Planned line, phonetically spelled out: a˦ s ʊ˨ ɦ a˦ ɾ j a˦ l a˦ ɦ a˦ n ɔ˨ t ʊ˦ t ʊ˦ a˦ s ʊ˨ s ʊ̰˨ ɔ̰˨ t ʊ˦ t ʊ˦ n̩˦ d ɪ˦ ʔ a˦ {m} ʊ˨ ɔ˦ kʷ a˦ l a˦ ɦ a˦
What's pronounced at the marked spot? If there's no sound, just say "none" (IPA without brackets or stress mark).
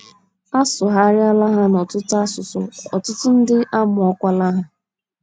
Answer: m